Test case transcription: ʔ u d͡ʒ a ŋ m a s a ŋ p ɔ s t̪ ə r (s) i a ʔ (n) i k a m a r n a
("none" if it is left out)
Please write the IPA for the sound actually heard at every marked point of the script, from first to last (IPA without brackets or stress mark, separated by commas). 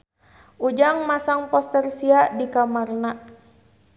s, d